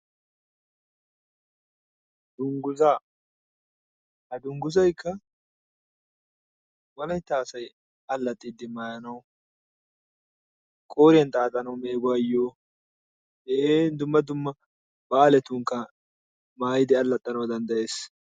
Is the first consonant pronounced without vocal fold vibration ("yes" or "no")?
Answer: no